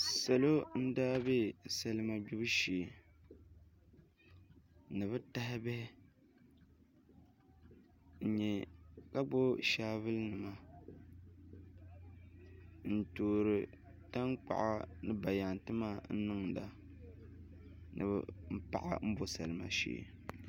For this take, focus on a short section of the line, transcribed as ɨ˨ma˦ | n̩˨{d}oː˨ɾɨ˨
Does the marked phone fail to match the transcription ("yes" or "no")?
yes